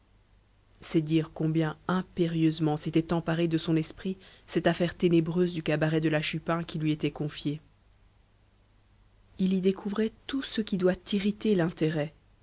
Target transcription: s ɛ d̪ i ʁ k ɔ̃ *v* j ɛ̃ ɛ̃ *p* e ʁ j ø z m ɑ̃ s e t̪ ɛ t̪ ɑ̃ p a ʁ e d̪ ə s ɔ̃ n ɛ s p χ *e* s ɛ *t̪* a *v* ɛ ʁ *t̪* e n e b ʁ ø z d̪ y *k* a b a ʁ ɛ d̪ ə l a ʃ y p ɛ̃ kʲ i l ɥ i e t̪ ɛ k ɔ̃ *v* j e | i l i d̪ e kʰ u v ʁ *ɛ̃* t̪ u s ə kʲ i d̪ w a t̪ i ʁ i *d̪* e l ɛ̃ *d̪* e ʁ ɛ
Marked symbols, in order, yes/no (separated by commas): no, yes, no, yes, no, yes, yes, no, no, no, no